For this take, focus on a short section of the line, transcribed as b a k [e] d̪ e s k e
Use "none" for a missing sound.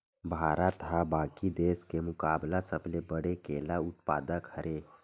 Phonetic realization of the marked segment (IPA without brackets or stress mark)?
i